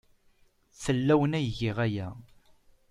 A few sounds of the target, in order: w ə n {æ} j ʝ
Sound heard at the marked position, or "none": æ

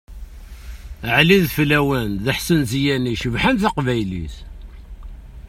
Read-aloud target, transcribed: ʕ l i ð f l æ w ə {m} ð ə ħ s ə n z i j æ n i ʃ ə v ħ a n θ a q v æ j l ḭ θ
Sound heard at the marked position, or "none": n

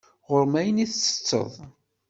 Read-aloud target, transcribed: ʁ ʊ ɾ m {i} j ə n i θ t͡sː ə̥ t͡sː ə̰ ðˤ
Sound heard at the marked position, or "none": æ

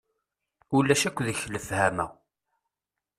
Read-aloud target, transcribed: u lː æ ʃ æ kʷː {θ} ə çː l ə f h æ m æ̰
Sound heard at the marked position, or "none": ð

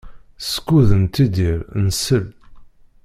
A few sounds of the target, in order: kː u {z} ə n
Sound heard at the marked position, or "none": ð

